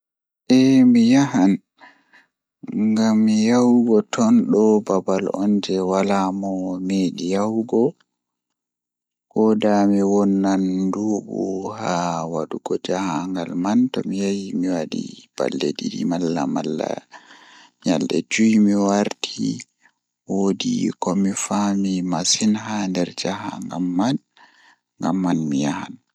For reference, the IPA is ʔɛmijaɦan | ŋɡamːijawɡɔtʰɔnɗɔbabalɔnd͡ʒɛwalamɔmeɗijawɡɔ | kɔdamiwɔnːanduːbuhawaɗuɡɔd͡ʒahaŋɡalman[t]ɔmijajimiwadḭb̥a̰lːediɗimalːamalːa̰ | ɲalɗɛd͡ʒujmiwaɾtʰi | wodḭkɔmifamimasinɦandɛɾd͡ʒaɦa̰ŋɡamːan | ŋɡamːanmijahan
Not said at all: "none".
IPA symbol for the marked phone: t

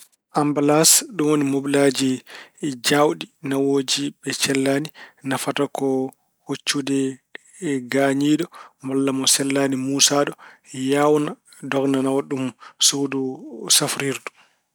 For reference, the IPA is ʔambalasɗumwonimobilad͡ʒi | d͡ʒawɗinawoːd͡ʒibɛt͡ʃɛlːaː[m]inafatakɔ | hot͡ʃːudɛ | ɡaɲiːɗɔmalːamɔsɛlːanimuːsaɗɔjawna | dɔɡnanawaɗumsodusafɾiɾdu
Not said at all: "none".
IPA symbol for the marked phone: n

